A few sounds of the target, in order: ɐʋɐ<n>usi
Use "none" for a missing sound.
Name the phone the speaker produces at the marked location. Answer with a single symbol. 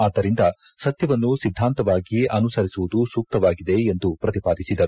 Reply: nː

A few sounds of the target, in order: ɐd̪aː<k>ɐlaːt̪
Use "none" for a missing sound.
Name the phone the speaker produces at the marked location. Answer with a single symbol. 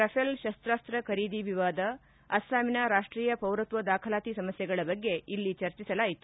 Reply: kʰ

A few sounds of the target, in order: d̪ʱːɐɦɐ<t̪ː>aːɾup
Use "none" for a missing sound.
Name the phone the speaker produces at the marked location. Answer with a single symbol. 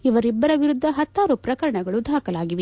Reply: t̪ː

